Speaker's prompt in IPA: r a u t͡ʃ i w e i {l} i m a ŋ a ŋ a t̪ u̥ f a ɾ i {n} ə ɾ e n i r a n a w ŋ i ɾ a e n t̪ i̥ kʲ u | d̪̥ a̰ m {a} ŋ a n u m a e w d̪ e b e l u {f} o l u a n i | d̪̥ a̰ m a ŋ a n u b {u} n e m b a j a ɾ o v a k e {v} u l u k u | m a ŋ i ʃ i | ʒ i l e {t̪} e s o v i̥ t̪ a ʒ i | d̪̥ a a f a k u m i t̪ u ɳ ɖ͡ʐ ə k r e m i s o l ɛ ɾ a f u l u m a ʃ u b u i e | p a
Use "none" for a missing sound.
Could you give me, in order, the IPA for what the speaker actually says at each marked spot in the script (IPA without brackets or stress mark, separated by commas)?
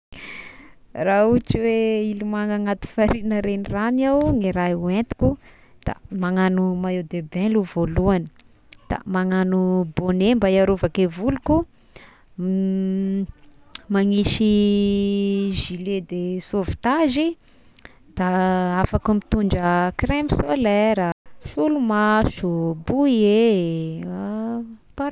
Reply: l, n, a, v, o, v, d̪